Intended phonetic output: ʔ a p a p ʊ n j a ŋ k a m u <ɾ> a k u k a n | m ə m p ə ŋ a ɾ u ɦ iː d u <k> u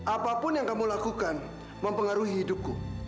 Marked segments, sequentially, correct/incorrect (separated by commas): incorrect, correct